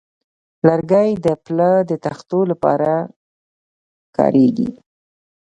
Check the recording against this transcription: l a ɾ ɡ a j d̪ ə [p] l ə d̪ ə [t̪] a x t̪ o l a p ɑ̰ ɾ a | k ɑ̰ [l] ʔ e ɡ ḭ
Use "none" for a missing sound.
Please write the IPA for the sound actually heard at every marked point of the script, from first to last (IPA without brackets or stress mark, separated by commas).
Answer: p, t̪, ɾ